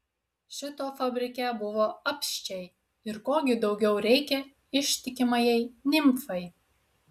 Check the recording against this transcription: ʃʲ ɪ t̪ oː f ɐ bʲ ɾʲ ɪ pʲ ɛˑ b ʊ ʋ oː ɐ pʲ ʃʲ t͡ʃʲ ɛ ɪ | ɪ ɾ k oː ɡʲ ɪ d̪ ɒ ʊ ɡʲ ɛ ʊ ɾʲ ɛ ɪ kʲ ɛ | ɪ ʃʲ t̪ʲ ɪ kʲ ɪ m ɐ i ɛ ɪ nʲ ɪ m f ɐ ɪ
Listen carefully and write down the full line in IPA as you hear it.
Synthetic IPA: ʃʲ ɪ t̪ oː f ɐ bʲ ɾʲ ɪ kʲ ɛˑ b ʊ ʋ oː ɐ pʲ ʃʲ t͡ʃʲ ɛ ɪ | ɪ ɾ k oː ɡʲ ɪ d̪ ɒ ʊ ɡʲ ɛ ʊ ɾʲ ɛ ɪ kʲ ɛ | ɪ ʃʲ t̪ʲ ɪ kʲ ɪ m ɐ j ɛ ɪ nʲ ɪ m f ɐ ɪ